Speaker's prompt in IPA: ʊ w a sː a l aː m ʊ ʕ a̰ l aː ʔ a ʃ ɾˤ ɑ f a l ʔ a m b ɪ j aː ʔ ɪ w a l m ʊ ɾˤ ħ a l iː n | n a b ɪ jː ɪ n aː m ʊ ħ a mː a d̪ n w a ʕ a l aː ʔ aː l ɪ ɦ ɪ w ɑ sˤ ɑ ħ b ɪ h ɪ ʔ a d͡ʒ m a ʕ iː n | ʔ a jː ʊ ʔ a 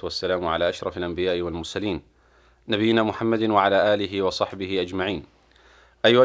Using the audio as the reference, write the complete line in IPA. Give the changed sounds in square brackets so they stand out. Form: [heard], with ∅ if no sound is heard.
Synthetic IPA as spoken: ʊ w a sː a l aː m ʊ ʕ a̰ l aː ʔ a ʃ ɾˤ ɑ f a l ʔ a m b ɪ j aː ʔ ɪ w a l m ʊ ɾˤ [s] a l iː n | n a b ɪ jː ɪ n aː m ʊ ħ a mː a d̪ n w a ʕ a l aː ʔ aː l ɪ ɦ ɪ w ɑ sˤ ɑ ħ b ɪ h ɪ ʔ a d͡ʒ m a ʕ iː n | ʔ a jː ʊ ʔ a